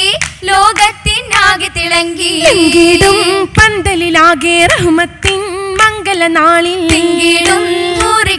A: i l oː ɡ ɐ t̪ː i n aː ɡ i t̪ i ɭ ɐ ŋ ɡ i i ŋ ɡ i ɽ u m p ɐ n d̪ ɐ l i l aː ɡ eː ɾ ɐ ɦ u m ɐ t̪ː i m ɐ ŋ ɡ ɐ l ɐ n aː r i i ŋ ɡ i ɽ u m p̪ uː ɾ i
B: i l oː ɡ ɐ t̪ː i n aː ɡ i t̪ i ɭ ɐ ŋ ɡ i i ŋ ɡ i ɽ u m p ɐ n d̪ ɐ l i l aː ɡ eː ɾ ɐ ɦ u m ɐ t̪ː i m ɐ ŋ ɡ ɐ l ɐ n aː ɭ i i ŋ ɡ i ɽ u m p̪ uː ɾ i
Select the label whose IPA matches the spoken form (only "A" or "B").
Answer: B